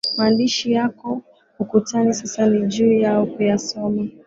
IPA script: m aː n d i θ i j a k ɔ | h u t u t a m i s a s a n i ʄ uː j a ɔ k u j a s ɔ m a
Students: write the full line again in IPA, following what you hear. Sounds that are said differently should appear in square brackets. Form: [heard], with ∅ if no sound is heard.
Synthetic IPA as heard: m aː n d i [ʃ] i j a k ɔ | h u [k] u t a [n] i s a s a n i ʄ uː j a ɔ k u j a s ɔ m a